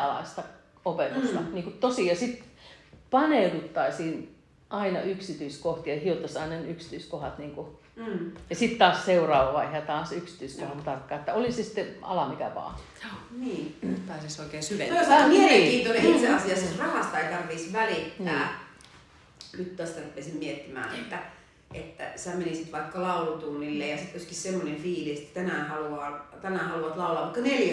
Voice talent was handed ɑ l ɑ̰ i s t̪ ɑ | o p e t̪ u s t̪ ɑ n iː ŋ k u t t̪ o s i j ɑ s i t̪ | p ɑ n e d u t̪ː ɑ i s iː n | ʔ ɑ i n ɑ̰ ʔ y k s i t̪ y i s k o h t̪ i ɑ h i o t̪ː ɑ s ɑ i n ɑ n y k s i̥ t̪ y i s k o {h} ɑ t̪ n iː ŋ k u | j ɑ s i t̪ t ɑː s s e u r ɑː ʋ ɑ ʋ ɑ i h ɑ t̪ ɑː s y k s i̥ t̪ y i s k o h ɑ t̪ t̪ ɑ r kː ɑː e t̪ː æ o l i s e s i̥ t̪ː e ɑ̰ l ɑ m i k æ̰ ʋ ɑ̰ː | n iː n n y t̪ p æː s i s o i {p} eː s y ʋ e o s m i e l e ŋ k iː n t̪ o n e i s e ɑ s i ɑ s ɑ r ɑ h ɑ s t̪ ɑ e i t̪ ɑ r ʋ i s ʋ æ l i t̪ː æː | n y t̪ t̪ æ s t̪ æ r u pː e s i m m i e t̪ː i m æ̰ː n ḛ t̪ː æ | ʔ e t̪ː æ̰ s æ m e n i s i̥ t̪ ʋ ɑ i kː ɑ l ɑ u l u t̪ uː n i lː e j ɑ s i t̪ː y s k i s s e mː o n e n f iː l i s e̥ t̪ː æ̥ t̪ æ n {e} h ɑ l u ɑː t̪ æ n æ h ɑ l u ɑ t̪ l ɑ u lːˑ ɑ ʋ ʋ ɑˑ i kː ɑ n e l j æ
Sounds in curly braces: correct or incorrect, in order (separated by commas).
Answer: correct, incorrect, incorrect